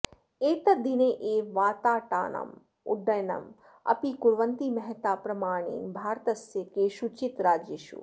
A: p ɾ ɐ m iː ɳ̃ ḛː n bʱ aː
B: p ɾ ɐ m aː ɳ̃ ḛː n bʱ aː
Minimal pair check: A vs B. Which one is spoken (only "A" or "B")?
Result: B